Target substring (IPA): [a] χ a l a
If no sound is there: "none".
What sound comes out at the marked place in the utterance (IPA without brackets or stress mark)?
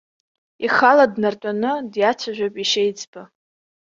i